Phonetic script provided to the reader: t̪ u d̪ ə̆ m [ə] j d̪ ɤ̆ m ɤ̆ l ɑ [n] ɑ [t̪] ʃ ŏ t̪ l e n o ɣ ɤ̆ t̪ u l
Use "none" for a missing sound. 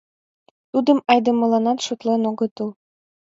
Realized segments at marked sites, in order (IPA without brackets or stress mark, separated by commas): ɑ, n, t̪